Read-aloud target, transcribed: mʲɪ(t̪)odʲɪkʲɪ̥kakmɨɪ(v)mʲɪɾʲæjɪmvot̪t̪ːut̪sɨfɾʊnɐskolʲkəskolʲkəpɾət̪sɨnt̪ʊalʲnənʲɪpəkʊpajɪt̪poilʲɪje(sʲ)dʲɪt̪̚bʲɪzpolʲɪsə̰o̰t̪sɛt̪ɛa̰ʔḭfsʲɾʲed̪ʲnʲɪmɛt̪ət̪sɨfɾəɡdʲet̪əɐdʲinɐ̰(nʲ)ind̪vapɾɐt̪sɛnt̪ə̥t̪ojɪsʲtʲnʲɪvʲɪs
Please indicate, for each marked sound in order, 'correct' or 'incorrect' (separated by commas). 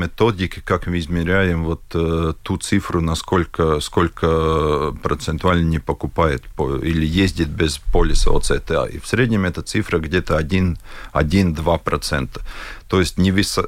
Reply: correct, incorrect, incorrect, incorrect